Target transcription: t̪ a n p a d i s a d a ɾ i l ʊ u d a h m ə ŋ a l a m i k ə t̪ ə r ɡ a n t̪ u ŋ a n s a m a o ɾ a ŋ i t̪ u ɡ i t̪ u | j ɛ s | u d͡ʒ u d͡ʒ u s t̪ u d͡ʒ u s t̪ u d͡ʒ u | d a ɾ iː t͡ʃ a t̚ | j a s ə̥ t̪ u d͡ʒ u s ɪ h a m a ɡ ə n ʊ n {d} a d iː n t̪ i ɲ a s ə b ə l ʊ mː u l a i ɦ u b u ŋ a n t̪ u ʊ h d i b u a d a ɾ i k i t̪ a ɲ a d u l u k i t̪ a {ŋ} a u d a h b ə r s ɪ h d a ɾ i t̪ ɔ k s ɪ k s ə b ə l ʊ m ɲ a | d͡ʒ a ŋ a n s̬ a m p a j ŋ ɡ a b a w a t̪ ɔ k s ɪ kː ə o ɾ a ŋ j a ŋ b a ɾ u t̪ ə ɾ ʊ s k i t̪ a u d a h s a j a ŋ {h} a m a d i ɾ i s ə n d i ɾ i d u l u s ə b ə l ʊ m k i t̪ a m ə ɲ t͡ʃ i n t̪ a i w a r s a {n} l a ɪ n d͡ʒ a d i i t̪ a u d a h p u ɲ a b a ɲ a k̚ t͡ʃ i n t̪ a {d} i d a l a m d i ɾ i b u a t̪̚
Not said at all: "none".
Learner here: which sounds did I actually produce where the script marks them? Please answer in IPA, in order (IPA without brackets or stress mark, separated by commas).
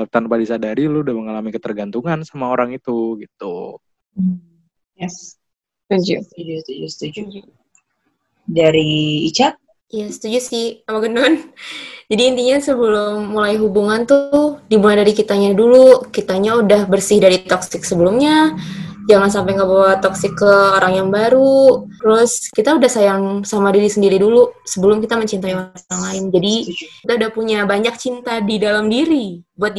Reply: d͡ʒ, ɲ, s, ŋ, d